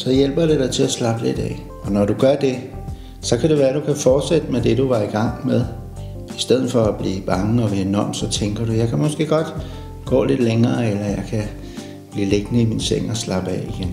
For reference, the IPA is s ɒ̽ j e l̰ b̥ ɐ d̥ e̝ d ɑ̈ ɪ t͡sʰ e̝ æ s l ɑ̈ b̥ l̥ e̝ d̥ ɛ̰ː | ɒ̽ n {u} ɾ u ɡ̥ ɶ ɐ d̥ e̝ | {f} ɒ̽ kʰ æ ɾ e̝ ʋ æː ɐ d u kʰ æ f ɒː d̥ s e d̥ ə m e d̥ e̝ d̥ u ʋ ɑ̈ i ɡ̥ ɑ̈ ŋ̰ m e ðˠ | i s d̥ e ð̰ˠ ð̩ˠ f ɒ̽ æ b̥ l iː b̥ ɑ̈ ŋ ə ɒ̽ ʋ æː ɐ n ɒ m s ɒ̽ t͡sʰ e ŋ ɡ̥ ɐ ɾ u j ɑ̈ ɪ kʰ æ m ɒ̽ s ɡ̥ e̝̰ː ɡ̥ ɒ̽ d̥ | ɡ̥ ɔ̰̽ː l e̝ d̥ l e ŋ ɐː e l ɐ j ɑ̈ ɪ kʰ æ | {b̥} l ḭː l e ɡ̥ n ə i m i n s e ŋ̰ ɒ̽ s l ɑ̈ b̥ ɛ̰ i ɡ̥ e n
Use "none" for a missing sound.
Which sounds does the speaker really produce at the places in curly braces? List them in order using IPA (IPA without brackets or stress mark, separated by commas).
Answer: ɒ, s, b̥